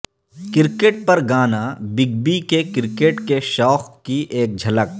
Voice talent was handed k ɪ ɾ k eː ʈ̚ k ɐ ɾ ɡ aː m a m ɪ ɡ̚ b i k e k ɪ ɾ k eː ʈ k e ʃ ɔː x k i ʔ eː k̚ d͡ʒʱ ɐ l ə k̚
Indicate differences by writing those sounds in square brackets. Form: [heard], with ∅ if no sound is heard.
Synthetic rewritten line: k ɪ ɾ k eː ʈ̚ [p] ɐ ɾ ɡ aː [n] a [b] ɪ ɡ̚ b i k e k ɪ ɾ k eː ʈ k e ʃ ɔː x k i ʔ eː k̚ d͡ʒʱ ɐ l ə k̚